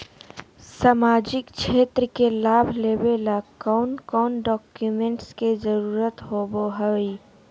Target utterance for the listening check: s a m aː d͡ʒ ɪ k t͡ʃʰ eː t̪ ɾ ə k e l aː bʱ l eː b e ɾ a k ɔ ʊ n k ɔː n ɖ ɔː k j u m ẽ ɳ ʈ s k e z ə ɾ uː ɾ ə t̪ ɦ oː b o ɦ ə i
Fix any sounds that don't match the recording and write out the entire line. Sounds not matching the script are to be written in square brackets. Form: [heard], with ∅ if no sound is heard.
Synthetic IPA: s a m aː d͡ʒ ɪ k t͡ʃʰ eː t̪ ɾ ə k e l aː bʱ l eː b e [l] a k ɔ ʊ n k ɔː n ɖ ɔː k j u m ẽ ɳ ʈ s k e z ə ɾ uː ɾ ə t̪ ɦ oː b o ɦ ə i